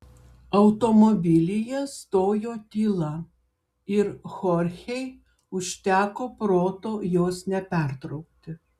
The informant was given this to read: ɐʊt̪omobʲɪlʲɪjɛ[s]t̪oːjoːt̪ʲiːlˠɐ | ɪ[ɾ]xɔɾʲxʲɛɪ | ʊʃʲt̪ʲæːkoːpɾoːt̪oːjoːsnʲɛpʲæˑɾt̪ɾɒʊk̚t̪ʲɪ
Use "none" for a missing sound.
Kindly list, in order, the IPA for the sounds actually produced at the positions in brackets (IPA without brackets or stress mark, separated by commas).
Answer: s, ɾ